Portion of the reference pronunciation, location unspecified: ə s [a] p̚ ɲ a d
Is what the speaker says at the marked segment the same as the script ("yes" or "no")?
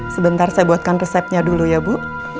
no